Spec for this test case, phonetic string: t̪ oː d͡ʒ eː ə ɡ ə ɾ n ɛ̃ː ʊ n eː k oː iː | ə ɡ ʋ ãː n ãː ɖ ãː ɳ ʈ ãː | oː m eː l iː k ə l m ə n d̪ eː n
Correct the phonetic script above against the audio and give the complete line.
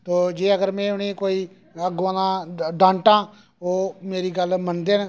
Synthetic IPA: t̪ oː d͡ʒ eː ə ɡ ə ɾ m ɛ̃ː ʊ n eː k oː iː | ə ɡ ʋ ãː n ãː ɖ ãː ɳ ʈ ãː | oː m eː ɾ iː ɡ ə l m ə n d̪ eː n